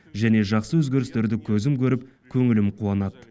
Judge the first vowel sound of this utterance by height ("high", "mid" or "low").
low